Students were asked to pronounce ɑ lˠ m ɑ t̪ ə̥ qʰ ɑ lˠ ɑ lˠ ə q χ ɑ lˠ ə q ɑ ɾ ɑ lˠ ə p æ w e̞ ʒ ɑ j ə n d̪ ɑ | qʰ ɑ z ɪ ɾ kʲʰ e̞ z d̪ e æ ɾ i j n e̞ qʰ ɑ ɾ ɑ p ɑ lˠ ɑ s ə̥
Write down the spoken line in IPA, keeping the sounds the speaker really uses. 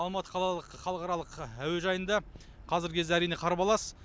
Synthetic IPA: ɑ lˠ m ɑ t̪ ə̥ qʰ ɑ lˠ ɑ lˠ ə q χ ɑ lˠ ə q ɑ ɾ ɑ lˠ ə q æ w e̞ ʒ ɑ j ə n d̪ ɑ | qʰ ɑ z ɪ ɾ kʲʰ e̞ z d̪ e æ ɾ i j n e̞ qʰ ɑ ɾ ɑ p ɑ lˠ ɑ s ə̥